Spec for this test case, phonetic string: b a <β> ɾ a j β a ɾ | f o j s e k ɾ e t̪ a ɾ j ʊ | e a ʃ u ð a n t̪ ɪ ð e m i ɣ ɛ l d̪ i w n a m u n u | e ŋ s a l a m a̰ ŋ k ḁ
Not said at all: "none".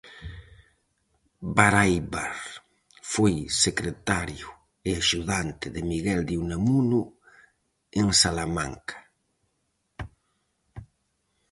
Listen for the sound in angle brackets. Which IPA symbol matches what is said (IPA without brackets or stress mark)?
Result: none